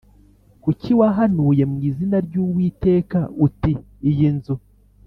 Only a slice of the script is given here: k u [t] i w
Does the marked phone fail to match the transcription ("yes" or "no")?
yes